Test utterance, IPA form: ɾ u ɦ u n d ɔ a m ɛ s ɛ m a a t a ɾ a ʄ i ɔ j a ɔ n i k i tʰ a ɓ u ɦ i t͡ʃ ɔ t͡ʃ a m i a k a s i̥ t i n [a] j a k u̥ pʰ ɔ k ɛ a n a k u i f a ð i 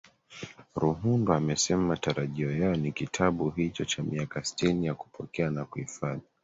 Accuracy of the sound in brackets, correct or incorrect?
incorrect